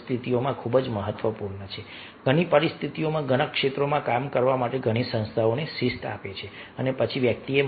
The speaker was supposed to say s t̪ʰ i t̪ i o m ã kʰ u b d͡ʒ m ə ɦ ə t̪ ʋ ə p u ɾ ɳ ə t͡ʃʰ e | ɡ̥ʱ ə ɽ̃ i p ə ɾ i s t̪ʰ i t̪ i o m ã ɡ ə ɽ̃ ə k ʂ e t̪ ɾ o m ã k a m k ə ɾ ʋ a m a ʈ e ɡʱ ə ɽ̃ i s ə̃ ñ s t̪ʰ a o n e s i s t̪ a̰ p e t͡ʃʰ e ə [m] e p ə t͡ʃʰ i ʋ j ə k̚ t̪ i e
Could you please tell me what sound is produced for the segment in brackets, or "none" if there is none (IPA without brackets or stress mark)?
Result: n